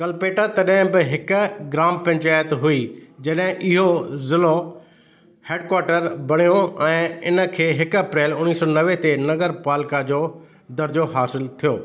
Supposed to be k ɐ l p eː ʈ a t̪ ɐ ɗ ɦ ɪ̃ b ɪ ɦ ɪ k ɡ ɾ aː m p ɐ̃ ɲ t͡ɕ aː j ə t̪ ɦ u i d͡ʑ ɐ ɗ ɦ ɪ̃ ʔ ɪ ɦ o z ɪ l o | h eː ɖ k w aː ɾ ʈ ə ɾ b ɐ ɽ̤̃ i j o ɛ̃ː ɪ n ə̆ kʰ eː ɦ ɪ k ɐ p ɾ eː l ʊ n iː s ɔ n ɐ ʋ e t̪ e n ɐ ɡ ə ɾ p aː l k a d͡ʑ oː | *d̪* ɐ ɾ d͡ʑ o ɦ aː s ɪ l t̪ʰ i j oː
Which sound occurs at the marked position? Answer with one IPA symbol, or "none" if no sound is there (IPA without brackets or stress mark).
d̪